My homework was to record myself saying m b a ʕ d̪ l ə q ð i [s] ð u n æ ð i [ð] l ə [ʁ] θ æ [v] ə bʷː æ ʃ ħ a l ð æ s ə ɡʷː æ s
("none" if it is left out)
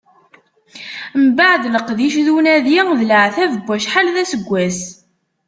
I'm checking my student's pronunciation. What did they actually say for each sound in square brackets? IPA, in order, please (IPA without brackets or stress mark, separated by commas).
ʃ, ð, ʕ, v